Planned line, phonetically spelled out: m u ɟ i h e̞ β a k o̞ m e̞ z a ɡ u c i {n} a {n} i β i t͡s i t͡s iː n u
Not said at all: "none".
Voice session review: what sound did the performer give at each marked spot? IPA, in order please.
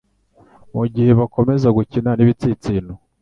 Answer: n, n

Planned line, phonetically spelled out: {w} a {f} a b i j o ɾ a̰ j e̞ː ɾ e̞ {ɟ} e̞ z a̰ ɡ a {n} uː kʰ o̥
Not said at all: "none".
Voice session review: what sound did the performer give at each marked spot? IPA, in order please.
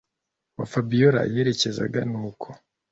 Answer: w, f, c, n

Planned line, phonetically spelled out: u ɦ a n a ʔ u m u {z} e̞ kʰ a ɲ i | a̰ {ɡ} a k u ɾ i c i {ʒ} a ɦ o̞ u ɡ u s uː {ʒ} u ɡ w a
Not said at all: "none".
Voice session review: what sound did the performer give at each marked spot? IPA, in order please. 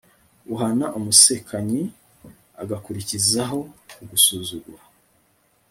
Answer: s, ɡ, z, z

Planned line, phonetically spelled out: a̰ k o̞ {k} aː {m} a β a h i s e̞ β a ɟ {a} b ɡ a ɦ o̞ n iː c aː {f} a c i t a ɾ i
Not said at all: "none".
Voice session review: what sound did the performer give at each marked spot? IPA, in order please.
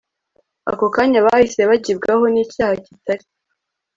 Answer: k, ɲ, i, h

